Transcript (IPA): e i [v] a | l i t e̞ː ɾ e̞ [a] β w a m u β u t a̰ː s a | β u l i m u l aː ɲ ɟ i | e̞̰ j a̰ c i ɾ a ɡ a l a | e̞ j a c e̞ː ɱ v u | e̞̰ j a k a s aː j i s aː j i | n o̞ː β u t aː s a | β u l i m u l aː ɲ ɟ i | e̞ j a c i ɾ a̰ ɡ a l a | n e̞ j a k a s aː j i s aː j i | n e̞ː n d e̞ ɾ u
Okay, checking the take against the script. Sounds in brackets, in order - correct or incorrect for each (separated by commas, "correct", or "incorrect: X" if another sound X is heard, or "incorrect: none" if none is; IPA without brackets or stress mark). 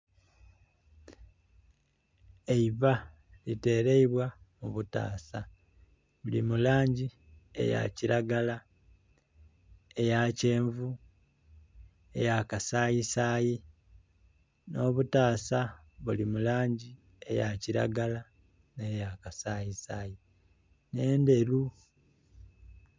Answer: incorrect: β, incorrect: i